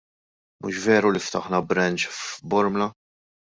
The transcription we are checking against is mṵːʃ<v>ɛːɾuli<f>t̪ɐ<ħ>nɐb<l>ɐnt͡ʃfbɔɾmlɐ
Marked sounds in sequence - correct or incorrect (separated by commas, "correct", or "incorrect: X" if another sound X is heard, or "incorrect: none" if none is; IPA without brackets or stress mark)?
correct, correct, correct, incorrect: ɾ